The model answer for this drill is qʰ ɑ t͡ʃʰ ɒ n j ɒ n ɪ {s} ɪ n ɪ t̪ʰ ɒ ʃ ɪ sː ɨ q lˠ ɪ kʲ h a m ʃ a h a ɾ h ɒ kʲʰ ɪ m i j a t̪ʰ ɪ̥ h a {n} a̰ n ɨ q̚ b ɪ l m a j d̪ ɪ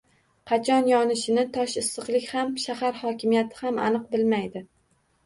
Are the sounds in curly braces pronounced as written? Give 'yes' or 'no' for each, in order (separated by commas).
no, no